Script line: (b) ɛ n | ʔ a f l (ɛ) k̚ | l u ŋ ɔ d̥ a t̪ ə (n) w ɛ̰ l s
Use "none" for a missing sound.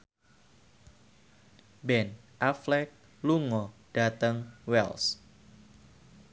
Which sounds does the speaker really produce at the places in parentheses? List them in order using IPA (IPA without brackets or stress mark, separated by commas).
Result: b, ɛ, ŋ